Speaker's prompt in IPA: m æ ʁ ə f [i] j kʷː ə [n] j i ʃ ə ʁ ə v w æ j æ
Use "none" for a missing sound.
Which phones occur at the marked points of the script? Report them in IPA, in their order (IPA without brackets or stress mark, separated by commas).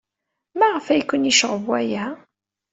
æ, n